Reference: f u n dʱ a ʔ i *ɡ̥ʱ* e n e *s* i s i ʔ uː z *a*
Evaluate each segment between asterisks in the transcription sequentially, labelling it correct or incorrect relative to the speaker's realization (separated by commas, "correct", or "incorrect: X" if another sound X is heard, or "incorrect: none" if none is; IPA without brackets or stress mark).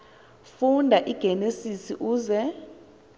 correct, correct, incorrect: ɛ